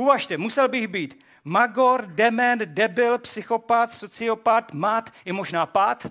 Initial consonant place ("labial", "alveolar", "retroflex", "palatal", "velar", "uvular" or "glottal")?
labial